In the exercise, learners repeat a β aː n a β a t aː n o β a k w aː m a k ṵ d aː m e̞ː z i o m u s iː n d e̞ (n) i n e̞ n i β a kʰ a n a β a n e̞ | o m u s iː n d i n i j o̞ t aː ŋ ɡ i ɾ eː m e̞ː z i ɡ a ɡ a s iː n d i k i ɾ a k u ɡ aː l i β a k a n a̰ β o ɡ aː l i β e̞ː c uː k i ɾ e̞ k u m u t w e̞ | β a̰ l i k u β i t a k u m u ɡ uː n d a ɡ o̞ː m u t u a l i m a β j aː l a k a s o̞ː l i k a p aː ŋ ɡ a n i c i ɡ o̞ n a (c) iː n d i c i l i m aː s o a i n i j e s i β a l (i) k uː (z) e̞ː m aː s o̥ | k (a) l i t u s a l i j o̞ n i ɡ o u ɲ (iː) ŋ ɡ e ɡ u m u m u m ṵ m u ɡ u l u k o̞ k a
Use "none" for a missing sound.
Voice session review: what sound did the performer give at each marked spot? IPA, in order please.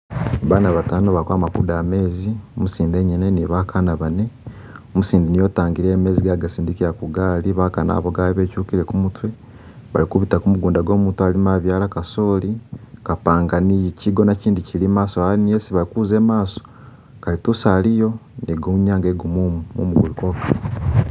ɲ, c, i, z, a, aː

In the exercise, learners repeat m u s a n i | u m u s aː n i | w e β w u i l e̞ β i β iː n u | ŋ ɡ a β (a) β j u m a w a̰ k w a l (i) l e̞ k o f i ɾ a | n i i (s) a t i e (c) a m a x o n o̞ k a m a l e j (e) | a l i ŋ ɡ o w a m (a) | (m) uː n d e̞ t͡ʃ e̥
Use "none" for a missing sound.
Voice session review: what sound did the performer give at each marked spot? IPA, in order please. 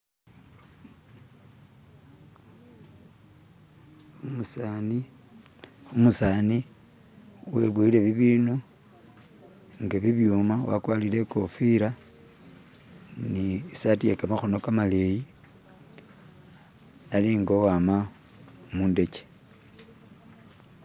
i, i, s, k, i, a, m

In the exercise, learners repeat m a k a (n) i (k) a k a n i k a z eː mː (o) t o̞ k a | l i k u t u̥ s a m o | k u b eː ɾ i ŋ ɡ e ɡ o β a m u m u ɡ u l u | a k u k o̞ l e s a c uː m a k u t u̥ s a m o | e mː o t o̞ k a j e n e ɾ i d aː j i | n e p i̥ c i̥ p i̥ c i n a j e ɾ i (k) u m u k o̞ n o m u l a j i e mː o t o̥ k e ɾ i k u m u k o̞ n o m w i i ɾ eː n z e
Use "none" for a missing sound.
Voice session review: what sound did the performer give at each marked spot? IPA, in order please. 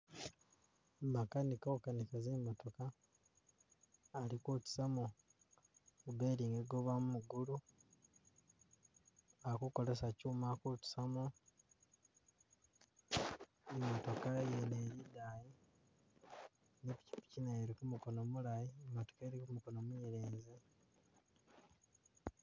n, k, o, k

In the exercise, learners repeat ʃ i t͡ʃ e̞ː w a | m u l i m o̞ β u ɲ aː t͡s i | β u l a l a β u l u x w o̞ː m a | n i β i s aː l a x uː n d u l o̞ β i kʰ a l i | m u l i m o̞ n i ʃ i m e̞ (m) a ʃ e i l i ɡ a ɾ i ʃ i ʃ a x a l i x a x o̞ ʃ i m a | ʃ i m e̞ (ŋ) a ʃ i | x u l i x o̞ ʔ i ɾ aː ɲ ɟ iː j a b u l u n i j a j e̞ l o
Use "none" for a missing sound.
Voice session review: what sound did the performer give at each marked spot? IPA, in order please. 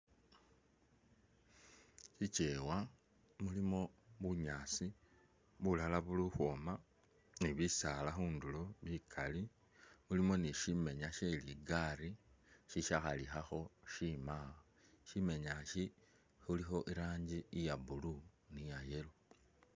ɲ, ɲ

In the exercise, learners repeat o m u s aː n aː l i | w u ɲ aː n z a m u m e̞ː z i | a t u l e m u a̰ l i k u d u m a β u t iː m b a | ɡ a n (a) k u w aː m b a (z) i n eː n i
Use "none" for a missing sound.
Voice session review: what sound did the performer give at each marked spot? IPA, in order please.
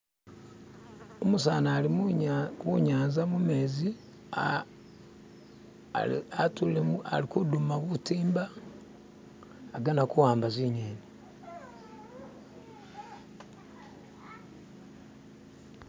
a, z

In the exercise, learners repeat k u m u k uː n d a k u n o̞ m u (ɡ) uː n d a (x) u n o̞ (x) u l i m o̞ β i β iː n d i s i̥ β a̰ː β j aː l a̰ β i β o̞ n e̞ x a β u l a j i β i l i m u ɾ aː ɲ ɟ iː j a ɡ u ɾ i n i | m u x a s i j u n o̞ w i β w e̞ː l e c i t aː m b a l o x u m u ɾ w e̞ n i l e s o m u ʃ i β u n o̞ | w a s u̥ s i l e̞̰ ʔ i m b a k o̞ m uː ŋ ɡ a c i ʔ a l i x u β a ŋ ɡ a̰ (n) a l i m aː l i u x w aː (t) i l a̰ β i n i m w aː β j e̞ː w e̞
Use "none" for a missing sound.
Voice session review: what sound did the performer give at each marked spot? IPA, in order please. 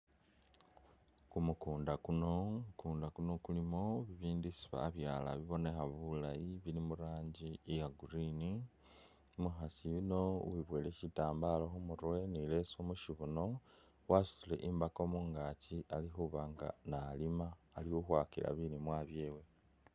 k, k, k, n, k

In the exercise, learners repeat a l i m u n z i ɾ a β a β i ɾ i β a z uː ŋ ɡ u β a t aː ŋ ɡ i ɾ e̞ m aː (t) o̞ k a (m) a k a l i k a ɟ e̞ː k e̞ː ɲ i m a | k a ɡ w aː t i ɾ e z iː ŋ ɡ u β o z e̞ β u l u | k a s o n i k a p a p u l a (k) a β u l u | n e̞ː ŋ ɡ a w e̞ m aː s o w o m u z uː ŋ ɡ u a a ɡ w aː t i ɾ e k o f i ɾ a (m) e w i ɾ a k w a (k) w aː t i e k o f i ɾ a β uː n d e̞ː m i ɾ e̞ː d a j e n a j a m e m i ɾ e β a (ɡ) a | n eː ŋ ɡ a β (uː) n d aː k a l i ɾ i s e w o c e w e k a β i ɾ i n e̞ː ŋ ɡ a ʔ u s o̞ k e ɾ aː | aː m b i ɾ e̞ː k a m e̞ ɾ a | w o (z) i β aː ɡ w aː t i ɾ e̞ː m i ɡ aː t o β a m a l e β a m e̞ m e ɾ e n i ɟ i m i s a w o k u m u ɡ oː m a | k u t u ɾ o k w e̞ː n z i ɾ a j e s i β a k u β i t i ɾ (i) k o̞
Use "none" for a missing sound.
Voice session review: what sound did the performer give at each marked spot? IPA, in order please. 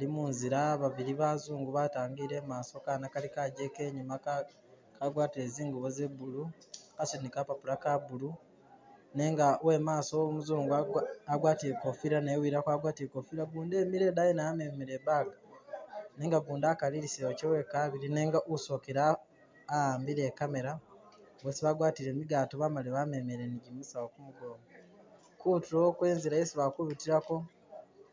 s, n, k, n, ɡ, ɡ, uː, s, a

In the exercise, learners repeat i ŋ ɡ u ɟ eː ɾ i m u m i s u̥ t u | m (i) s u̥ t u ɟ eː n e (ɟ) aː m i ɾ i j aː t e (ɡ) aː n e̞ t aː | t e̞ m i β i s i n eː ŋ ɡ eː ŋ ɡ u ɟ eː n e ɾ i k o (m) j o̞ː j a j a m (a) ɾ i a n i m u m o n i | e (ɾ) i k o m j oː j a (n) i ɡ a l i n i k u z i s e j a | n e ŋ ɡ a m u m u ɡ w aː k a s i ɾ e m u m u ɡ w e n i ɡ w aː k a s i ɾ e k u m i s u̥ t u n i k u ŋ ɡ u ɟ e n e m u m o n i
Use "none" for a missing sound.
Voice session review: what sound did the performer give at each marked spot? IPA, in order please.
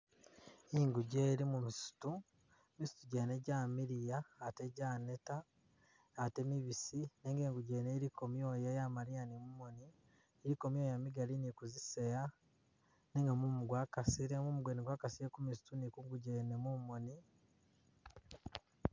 i, ɟ, ɟ, m, a, ɾ, m

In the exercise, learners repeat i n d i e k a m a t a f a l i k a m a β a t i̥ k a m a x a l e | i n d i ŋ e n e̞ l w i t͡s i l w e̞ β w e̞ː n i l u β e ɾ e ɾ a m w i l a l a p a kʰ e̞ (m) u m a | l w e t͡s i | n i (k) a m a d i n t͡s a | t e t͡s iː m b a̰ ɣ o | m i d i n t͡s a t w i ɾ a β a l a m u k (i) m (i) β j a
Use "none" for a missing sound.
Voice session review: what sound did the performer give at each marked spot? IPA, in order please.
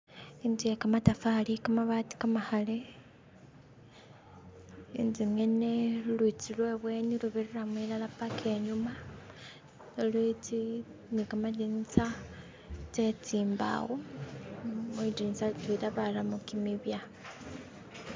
ɲ, k, i, i

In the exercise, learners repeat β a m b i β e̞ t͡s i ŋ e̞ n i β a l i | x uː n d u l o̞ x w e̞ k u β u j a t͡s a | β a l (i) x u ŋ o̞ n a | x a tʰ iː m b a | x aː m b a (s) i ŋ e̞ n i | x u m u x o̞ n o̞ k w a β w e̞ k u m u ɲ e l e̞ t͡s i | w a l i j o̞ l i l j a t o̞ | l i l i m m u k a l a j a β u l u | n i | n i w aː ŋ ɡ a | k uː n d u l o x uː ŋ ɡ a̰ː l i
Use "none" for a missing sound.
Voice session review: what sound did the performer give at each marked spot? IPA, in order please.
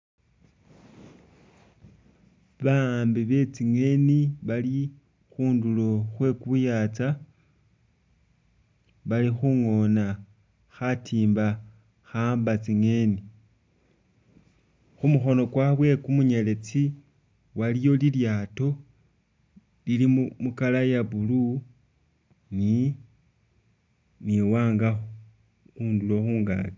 i, t͡s

